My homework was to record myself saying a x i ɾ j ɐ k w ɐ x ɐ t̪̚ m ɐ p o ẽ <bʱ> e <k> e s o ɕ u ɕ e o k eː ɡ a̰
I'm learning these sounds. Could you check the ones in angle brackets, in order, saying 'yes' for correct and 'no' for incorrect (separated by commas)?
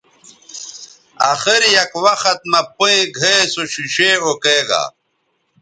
no, no